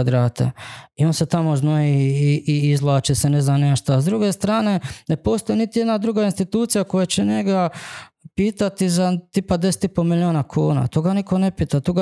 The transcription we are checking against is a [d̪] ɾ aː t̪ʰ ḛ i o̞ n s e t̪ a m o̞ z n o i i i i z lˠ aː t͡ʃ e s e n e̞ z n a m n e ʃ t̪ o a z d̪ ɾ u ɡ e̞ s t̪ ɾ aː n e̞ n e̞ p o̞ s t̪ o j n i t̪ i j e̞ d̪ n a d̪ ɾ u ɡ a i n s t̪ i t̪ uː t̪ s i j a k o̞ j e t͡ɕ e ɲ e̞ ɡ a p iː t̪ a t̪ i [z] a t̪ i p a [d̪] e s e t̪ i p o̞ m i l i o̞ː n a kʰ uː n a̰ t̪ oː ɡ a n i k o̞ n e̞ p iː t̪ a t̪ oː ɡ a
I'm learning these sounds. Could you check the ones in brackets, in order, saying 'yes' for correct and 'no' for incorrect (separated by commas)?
yes, yes, yes